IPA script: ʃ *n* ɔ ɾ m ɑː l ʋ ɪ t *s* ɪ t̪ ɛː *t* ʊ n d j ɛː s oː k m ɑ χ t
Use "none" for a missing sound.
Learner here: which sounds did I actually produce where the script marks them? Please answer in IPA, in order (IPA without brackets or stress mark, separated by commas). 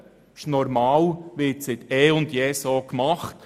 n, s, none